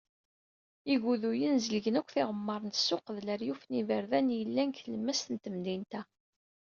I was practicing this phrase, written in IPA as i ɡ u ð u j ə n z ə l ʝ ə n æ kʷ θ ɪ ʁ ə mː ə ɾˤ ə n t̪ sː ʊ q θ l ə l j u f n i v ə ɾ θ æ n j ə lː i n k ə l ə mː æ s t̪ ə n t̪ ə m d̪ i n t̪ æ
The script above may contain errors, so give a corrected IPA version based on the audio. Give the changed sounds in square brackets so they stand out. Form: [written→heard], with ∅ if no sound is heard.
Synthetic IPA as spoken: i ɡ u ð u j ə n z ə l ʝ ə n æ kʷ θ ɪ ʁ ə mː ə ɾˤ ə n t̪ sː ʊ q [θ→ð] l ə [l→ɾ] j u f n i v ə ɾ [θ→ð] æ n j ə lː [i→æ] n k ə l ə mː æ s t̪ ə n t̪ ə m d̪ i n t̪ æ